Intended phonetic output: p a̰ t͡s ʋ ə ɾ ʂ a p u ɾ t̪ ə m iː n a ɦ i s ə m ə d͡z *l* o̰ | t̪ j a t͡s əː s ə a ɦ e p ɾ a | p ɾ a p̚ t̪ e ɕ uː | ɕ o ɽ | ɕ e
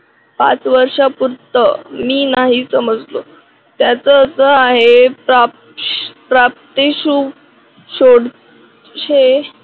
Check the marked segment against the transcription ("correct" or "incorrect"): correct